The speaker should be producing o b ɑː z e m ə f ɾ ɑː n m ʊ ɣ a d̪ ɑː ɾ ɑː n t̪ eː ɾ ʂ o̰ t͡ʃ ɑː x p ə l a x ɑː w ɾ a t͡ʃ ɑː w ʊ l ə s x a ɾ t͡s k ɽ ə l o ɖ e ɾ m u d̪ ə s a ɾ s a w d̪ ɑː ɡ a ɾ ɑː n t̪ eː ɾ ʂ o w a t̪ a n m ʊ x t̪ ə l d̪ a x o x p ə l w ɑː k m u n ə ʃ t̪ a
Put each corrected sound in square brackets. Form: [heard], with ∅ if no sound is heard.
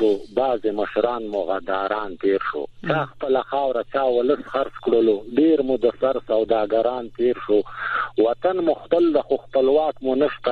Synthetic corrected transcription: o b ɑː z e m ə [ʃ] ɾ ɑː n m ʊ ɣ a d̪ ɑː ɾ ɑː n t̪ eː ɾ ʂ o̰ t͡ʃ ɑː x p ə l a x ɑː w ɾ a t͡ʃ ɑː w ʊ l ə s x a ɾ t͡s k ɽ ə l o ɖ e ɾ m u d̪ ə s a ɾ s a w d̪ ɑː ɡ a ɾ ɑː n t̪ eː ɾ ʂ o w a t̪ a n m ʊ x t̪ ə l d̪ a x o x p ə l w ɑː k m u n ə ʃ t̪ a